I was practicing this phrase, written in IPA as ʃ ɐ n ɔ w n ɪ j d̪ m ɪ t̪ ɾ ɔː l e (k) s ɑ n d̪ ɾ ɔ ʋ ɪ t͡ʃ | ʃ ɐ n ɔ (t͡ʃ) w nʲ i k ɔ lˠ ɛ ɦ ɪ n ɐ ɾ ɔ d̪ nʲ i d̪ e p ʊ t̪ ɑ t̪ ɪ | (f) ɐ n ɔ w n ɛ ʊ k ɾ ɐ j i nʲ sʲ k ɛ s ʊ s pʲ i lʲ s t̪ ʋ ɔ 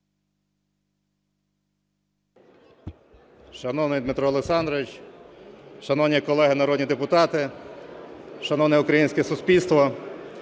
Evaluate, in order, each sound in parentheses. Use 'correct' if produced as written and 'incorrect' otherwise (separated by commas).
correct, incorrect, incorrect